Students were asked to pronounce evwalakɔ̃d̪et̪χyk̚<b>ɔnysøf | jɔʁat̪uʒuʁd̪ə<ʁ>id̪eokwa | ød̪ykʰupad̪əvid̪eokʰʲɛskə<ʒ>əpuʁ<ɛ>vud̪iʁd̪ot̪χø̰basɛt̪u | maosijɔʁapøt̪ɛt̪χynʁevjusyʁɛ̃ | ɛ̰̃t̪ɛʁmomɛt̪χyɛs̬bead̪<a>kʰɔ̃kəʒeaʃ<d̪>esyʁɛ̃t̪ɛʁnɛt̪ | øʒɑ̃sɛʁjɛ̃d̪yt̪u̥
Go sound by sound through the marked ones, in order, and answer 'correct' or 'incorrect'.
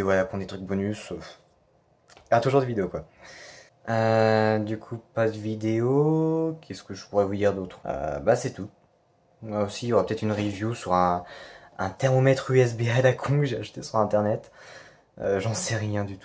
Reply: correct, incorrect: v, correct, correct, correct, incorrect: t̪

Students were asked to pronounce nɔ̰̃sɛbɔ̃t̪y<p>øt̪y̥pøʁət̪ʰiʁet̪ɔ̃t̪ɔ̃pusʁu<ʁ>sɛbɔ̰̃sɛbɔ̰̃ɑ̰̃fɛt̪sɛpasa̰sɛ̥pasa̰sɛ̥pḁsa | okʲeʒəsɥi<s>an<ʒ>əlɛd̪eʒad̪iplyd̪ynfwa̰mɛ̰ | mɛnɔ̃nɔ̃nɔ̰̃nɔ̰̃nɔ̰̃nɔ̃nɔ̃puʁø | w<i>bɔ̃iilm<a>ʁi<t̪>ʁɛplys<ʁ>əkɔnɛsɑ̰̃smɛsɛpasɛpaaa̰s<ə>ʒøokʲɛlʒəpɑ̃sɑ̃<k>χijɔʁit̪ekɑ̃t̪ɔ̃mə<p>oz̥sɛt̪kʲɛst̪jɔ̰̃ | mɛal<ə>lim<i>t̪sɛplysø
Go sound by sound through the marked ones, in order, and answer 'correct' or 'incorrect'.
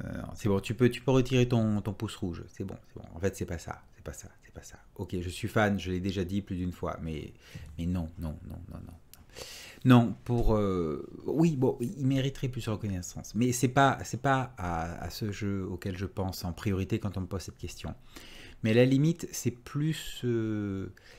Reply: correct, incorrect: ʒ, incorrect: f, correct, correct, incorrect: e, correct, correct, correct, incorrect: p, correct, incorrect: a, correct

